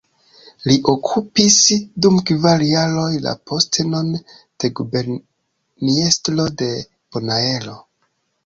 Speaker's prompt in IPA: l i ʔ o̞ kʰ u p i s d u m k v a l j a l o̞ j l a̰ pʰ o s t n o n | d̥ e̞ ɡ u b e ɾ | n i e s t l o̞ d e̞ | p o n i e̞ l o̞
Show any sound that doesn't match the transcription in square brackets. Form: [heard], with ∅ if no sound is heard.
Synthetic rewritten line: l i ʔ o̞ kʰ u p i s d u m k v a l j a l o̞ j l a̰ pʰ o s t n o n | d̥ e̞ ɡ u b e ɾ | n i e s t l o̞ d e̞ | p o n [a] e̞ l o̞